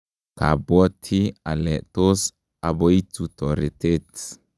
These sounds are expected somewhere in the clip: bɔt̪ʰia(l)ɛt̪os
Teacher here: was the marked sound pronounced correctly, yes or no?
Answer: yes